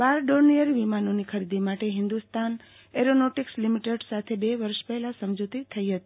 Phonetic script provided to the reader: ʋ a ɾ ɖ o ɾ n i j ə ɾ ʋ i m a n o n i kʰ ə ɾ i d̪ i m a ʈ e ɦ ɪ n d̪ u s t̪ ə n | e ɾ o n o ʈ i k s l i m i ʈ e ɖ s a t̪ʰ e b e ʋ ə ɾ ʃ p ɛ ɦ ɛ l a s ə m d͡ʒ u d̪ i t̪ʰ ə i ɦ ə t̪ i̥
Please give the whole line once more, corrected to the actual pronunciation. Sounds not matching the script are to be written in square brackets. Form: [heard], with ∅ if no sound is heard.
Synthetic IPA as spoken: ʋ a ɾ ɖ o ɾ n i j ə ɾ ʋ i m a n o n i kʰ ə ɾ i d̪ i m a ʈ e ɦ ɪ n d̪ u s t̪ [a] n | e ɾ o n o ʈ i k s l i m i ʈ e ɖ s a t̪ʰ e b e ʋ ə ɾ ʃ p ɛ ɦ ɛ l a s ə m d͡ʒ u [t̪] i t̪ʰ ə i ɦ ə t̪ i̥